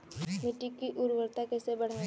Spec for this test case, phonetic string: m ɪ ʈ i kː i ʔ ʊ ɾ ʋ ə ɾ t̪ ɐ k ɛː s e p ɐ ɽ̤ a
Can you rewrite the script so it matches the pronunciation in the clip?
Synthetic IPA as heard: m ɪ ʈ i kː i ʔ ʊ ɾ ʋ ə ɾ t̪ a k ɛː s e b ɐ ɽ̤ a